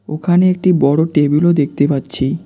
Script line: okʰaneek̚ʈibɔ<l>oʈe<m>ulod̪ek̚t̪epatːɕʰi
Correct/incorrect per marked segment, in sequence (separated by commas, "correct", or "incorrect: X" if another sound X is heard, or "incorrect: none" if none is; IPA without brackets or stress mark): incorrect: ɽ, incorrect: b